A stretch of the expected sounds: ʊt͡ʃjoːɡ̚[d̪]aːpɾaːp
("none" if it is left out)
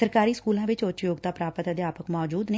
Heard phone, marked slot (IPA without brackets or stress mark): t̪